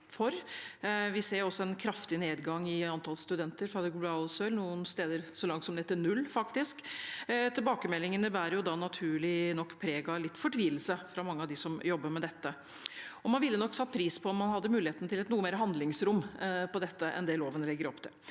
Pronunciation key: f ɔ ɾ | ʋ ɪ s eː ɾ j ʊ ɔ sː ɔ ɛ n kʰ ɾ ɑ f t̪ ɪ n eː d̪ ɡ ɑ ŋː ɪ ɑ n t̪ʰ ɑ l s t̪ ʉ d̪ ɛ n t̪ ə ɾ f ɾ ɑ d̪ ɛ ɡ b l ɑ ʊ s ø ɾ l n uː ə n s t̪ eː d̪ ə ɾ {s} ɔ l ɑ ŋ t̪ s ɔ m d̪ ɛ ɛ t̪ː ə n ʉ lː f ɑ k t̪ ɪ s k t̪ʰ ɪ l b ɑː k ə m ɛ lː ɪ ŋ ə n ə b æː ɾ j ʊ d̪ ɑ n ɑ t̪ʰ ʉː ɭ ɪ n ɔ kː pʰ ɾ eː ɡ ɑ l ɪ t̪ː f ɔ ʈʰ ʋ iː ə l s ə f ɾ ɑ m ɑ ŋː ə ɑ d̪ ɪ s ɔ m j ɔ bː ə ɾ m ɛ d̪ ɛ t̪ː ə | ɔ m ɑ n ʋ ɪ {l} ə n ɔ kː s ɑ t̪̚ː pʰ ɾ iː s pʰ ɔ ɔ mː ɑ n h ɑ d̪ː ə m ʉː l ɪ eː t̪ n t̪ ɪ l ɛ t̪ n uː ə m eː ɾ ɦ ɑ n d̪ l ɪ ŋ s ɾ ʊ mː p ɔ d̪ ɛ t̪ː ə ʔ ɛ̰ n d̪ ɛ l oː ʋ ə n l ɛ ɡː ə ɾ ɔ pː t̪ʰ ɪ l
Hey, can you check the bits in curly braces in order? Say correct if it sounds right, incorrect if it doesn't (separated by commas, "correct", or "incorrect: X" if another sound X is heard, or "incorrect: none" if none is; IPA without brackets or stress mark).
correct, incorrect: lː